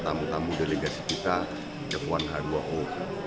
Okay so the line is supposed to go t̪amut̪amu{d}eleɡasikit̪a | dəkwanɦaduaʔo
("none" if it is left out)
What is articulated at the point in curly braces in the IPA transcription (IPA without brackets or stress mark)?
d